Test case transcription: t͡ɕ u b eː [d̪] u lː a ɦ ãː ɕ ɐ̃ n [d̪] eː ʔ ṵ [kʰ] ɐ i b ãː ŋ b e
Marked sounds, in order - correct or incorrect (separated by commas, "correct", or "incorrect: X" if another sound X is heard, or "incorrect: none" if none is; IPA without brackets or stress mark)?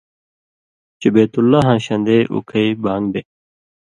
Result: incorrect: t̪, correct, correct